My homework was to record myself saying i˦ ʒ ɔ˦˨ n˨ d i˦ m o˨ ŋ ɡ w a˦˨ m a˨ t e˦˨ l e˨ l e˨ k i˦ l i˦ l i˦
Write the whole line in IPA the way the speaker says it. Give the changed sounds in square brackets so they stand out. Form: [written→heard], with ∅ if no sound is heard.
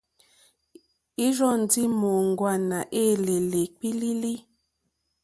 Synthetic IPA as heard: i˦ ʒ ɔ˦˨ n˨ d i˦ m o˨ ŋ ɡ w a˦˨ [m→n] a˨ [t→ʔ] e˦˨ l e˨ l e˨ [k→k͡p] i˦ l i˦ l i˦